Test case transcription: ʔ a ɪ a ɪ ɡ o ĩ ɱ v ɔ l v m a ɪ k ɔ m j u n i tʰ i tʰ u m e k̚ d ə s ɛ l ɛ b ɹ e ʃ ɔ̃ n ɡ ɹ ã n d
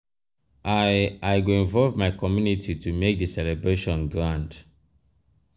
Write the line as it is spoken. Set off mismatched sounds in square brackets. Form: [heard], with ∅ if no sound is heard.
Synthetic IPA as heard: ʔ a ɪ a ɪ ɡ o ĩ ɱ v ɔ l v m a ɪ k ɔ m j u n i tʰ i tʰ u m e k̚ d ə s ɛ l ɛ b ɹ e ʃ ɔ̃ n ɡ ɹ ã n d